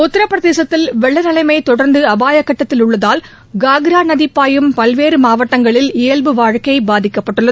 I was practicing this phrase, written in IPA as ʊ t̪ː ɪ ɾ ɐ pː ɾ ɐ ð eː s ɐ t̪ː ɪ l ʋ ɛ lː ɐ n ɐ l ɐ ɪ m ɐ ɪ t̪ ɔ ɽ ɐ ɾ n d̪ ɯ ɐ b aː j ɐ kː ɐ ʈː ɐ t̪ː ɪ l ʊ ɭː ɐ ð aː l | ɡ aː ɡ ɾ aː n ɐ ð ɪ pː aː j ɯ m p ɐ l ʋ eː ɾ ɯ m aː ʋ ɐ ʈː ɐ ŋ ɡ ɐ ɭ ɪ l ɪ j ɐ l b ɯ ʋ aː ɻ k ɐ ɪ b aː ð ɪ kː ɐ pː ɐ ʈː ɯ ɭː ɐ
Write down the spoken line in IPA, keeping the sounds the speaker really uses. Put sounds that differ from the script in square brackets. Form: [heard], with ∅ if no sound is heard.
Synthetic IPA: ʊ t̪ː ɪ ɾ ɐ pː ɾ ɐ ð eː s ɐ t̪ː ɪ l ʋ ɛ [ɭː] ɐ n ɐ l ɐ ɪ m ɐ ɪ t̪ ɔ ɽ ɐ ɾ n d̪ ɯ ɐ b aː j ɐ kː ɐ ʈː ɐ t̪ː ɪ l ʊ ɭː ɐ ð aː l | ɡ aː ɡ ɾ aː n ɐ ð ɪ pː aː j ɯ m p ɐ l ʋ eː ɾ ɯ m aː ʋ ɐ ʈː ɐ ŋ ɡ ɐ ɭ ɪ l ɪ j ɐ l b ɯ ʋ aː ɻ k ɐ ɪ b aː ð ɪ kː ɐ pː ɐ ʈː ɯ ɭː ɐ